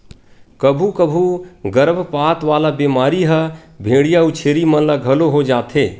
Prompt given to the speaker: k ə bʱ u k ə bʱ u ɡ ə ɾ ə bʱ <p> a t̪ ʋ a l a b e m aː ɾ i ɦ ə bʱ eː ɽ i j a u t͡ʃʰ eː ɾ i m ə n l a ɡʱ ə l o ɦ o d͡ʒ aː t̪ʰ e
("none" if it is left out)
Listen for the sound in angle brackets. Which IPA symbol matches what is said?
p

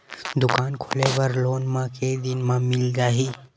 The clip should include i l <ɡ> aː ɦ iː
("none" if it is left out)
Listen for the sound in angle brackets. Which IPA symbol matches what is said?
ɡ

